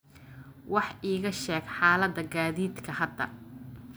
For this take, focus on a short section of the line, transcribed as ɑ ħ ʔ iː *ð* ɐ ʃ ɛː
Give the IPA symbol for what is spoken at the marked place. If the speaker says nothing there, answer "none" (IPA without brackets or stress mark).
ɣ